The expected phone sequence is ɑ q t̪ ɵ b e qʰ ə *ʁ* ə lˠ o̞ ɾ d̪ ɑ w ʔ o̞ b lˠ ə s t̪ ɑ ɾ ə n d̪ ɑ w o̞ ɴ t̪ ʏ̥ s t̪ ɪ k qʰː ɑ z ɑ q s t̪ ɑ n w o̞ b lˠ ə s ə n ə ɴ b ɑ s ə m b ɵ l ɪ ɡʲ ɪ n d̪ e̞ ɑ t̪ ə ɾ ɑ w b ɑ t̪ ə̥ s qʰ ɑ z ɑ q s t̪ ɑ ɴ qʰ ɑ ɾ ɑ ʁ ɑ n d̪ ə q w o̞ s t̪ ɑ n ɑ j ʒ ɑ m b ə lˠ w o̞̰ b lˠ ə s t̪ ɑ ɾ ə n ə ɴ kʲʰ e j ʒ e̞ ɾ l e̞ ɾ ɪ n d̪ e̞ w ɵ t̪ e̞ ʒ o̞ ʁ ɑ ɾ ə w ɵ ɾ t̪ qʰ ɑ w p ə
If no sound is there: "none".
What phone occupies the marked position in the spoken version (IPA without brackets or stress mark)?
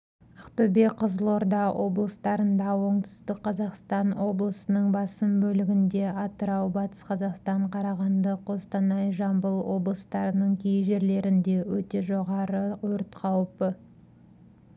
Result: z